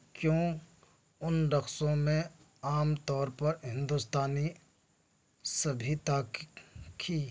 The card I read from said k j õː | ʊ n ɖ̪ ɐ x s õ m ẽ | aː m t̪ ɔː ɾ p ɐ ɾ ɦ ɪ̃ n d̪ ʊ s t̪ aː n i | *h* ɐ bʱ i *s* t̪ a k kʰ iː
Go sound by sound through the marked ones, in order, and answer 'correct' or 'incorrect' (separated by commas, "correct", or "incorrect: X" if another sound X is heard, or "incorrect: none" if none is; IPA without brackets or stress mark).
incorrect: s, incorrect: none